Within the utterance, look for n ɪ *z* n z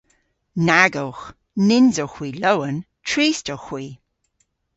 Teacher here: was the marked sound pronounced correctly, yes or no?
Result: no